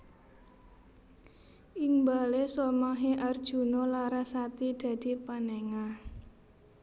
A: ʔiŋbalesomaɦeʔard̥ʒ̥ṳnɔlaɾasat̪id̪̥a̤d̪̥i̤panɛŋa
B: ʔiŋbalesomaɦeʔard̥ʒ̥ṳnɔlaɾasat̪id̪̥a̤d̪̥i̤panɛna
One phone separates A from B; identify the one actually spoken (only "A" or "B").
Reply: A